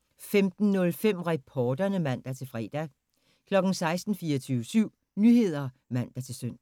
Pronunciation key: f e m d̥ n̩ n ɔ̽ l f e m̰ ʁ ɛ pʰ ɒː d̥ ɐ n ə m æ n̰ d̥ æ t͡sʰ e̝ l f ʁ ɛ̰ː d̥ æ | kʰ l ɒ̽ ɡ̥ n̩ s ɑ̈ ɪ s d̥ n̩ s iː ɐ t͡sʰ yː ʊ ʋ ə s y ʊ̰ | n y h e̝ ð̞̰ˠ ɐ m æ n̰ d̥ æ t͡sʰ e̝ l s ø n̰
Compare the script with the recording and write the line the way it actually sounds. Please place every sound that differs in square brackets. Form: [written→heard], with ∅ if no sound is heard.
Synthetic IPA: f e m d̥ n̩ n ɔ̽ l f e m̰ ʁ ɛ pʰ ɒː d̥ ɐ n ə m æ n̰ d̥ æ t͡sʰ e̝ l f ʁ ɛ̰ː d̥ æ | kʰ l ɒ̽ ɡ̥ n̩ s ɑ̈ ɪ s d̥ n̩ [s→f] iː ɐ t͡sʰ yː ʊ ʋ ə s y ʊ̰ | n y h e̝ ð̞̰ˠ ɐ m æ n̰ d̥ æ t͡sʰ e̝ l s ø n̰

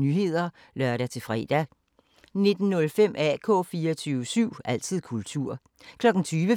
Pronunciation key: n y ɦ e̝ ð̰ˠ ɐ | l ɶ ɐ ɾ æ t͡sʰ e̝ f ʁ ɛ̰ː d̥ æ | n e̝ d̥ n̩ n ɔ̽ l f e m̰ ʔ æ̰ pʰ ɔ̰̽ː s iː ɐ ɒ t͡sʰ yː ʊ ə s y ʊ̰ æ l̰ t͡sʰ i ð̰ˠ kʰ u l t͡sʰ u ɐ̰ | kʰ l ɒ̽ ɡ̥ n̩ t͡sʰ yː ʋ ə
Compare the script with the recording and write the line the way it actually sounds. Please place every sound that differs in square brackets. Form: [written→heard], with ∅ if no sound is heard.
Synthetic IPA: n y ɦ e̝ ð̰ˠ ɐ | l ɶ ɐ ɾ æ t͡sʰ e̝ f ʁ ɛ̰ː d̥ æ | n e̝ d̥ n̩ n ɔ̽ l f e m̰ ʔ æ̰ [pʰ→kʰ] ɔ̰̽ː [s→f] iː ɐ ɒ t͡sʰ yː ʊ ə s y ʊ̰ æ l̰ t͡sʰ i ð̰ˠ kʰ u l t͡sʰ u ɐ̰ | kʰ l ɒ̽ ɡ̥ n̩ t͡sʰ yː ʋ ə

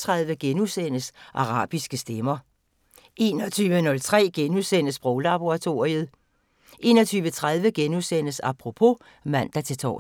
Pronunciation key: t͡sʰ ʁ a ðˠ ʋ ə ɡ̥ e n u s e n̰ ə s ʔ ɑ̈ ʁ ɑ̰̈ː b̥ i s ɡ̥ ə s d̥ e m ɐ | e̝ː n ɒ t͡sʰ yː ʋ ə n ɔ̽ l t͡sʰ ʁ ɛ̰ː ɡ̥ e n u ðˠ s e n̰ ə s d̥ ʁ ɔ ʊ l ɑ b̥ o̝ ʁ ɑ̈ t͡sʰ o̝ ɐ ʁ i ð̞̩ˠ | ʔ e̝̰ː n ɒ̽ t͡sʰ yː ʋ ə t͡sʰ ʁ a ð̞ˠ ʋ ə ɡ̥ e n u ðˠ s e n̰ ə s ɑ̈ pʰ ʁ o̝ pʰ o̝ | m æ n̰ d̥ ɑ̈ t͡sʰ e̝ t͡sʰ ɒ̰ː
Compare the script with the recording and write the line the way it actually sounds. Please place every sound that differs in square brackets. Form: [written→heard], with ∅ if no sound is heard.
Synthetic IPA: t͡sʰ ʁ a ðˠ ʋ ə ɡ̥ e n u s e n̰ ə s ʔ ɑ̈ ʁ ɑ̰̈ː b̥ i s ɡ̥ ə s d̥ e m ɐ | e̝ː n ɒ t͡sʰ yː ʋ ə n ɔ̽ l t͡sʰ ʁ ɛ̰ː ɡ̥ e n u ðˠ s e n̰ ə s [d̥→b̥] ʁ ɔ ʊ l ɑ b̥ o̝ ʁ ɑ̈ t͡sʰ o̝ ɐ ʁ i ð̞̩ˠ | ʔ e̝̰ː n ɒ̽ t͡sʰ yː ʋ ə t͡sʰ ʁ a ð̞ˠ ʋ ə ɡ̥ e n u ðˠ s e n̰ ə s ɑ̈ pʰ ʁ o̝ pʰ o̝ | m æ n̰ d̥ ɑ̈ t͡sʰ e̝ t͡sʰ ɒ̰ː

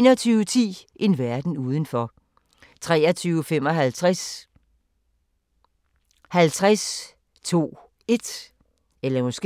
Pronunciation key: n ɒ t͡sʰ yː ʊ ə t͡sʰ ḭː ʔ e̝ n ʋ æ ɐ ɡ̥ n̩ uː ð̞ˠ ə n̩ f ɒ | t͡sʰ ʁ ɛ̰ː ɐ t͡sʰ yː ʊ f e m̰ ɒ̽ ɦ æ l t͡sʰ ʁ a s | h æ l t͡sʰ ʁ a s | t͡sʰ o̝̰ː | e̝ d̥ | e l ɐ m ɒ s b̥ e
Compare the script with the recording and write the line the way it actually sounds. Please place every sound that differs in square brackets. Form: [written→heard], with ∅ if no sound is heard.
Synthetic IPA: n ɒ t͡sʰ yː ʊ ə t͡sʰ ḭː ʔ e̝ n ʋ æ ɐ [ɡ̥→d̥] n̩ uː ð̞ˠ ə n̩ f ɒ | t͡sʰ ʁ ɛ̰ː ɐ t͡sʰ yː ʊ f e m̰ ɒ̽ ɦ æ l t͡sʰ ʁ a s | h æ l t͡sʰ ʁ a s | t͡sʰ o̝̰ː | e̝ d̥ | e l ɐ m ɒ s [b̥→ɡ̥] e

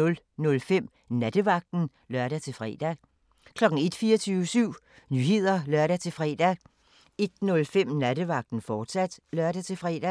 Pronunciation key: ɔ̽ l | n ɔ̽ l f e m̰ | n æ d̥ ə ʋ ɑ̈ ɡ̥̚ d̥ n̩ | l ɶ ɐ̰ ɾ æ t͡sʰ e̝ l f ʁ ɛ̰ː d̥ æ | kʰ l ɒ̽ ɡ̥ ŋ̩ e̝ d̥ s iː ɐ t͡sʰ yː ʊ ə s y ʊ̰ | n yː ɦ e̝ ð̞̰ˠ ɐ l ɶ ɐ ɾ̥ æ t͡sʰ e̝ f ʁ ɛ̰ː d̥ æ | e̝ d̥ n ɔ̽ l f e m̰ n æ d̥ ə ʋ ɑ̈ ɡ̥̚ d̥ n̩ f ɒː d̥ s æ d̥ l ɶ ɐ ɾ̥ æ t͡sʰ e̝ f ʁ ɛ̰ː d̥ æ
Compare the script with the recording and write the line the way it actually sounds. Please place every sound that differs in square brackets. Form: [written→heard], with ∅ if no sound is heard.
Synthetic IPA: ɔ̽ l | n ɔ̽ l f e m̰ | n æ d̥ ə ʋ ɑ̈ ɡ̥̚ d̥ n̩ | l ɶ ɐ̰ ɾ æ t͡sʰ e̝ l f ʁ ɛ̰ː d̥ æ | kʰ l ɒ̽ ɡ̥ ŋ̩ e̝ d̥ [s→f] iː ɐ t͡sʰ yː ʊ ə s y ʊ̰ | n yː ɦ e̝ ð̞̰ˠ ɐ l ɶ ɐ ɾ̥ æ t͡sʰ e̝ f ʁ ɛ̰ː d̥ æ | e̝ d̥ n ɔ̽ l f e m̰ n æ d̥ ə ʋ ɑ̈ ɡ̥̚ d̥ n̩ f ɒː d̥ s æ d̥ l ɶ ɐ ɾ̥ æ t͡sʰ e̝ f ʁ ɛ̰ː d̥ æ

